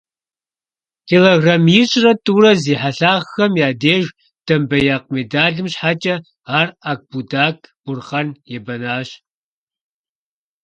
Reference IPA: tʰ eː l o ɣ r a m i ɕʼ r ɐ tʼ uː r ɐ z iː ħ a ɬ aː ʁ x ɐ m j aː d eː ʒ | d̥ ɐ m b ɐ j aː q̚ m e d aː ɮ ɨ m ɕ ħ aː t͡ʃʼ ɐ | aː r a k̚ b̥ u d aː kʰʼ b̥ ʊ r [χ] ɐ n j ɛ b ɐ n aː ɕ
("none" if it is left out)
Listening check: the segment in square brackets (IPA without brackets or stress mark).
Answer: χ